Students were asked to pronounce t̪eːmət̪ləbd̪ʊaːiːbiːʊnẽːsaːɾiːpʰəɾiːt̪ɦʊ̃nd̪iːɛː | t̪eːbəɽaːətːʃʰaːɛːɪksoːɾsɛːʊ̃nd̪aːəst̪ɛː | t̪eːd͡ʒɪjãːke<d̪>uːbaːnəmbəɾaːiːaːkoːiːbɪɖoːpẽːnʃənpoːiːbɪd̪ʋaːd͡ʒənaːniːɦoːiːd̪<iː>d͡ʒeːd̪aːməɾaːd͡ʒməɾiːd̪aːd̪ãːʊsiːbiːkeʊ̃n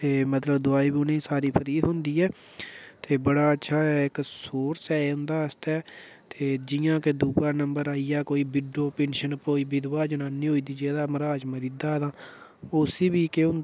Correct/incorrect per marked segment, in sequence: correct, correct

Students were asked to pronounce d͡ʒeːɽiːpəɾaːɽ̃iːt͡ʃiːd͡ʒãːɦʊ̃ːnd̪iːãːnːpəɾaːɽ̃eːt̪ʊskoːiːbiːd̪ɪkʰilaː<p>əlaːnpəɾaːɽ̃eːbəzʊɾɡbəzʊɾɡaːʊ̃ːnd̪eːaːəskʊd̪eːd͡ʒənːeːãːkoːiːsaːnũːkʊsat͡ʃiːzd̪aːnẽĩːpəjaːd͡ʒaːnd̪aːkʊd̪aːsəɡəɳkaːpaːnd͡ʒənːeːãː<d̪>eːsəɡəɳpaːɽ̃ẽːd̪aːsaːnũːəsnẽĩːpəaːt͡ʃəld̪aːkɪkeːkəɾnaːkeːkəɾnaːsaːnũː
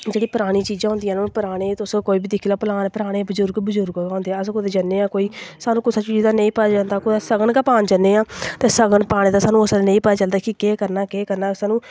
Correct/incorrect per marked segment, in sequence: correct, incorrect: t̪

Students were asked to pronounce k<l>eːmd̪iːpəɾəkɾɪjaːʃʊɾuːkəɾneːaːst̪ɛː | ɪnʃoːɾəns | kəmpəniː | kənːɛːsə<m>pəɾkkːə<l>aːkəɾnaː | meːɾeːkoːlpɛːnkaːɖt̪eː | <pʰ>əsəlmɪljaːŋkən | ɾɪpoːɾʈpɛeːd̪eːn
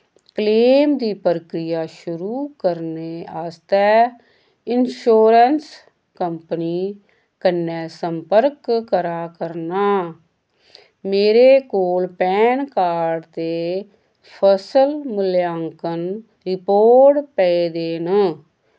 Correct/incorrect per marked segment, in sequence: correct, correct, incorrect: ɾ, correct

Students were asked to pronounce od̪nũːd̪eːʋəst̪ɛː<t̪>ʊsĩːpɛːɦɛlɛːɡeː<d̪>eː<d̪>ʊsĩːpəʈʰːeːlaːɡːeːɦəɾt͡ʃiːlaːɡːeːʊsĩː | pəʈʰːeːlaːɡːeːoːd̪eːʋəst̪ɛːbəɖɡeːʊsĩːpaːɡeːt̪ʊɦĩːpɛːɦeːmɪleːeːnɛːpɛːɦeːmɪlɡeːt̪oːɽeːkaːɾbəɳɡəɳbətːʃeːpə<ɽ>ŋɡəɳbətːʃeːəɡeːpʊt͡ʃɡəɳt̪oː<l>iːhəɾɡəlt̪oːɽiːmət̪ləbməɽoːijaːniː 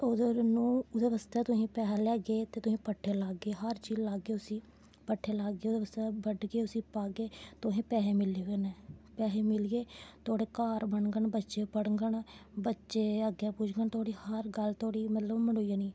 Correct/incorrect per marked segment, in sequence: correct, incorrect: t̪, incorrect: t̪, correct, incorrect: ɽ

